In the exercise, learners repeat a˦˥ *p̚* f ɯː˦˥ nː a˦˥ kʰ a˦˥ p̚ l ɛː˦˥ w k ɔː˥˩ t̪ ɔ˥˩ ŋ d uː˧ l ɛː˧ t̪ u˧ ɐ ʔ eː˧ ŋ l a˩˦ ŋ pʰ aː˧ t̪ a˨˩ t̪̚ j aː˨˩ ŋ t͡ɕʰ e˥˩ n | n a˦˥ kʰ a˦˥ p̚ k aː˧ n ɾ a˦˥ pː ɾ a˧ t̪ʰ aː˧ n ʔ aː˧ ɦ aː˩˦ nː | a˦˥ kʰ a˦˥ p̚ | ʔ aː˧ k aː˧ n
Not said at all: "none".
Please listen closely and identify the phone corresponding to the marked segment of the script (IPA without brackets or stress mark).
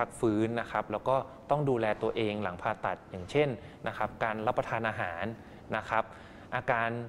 k̚